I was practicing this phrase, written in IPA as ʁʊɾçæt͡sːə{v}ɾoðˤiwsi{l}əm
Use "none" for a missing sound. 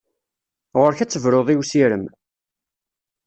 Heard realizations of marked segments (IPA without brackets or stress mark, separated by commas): v, ɾ